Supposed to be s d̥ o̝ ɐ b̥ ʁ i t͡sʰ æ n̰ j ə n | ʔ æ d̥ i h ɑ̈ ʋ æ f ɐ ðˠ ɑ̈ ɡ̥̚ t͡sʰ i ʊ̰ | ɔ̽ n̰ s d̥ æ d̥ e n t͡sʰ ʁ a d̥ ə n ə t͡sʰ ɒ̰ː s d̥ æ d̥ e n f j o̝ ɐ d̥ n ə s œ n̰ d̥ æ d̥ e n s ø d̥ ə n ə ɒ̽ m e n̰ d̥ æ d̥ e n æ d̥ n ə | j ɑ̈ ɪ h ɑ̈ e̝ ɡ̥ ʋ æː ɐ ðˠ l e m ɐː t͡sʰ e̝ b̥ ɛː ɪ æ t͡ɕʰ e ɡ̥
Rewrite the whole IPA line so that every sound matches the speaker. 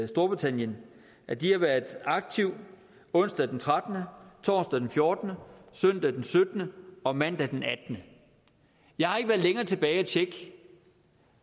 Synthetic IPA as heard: s d̥ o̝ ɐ b̥ ʁ i t͡sʰ æ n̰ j ə n | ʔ æ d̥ i h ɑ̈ ʋ æ ɐ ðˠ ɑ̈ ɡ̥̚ t͡sʰ i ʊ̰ | ɔ̽ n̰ s d̥ æ d̥ e n t͡sʰ ʁ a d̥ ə n ə t͡sʰ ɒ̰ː s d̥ æ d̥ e n f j o̝ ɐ d̥ n ə s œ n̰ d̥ æ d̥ e n s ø d̥ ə n ə ɒ̽ m æ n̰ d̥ æ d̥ e n æ d̥ n ə | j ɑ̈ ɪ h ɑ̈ e̝ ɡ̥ ʋ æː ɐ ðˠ l e ŋ ɐː t͡sʰ e̝ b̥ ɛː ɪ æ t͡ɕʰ e ɡ̥